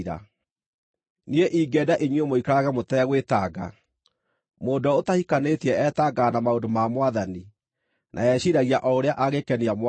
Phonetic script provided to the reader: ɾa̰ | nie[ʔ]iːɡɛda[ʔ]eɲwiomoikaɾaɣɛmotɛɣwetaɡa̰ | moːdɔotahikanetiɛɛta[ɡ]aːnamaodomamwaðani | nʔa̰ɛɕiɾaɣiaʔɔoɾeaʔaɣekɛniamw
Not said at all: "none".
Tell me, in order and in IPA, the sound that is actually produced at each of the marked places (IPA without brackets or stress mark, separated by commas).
ʔ, ʔ, ɡ